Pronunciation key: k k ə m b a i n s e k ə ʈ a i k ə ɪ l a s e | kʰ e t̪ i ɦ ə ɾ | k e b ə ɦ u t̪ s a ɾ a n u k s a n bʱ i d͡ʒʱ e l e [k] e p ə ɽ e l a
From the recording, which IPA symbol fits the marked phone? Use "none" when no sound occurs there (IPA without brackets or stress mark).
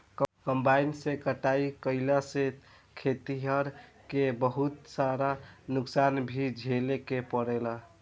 k